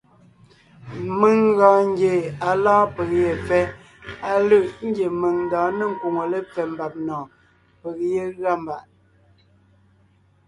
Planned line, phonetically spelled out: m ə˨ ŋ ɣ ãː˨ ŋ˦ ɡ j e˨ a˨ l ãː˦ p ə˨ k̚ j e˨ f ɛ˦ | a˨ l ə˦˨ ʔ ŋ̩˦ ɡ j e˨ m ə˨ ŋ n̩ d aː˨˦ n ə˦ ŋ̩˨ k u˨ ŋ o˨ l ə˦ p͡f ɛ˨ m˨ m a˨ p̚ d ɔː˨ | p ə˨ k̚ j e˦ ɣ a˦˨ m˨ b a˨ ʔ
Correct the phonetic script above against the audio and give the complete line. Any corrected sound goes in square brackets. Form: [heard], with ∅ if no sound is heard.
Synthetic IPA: m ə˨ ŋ ɣ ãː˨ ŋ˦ ɡ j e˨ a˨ l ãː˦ p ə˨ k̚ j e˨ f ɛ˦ | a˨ l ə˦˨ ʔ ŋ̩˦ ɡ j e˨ m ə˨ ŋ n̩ d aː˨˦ n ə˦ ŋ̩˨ k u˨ ŋ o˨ l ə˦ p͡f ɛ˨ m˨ [b] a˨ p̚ [n] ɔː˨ | p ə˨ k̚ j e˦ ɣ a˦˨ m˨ b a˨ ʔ